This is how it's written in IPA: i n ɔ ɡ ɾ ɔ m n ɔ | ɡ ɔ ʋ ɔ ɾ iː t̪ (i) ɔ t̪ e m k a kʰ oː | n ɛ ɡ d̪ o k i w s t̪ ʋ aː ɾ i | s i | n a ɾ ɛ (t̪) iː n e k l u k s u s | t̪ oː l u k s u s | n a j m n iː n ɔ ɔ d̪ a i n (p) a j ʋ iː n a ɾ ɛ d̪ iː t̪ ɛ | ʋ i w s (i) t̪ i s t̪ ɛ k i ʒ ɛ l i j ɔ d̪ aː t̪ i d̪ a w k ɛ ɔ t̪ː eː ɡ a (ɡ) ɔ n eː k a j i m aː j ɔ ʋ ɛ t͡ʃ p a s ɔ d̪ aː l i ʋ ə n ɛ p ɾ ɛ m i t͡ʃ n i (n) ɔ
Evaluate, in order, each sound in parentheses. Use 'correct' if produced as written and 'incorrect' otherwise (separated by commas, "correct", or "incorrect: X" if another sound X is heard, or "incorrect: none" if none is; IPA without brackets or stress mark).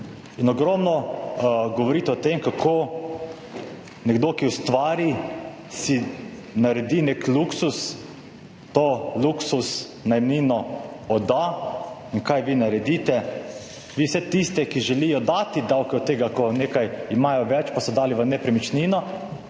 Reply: incorrect: ɛ, incorrect: d̪, incorrect: k, incorrect: ɛ, incorrect: k, correct